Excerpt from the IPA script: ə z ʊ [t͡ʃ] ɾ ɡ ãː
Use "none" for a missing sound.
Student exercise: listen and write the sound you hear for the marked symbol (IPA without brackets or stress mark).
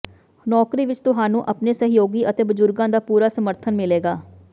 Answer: none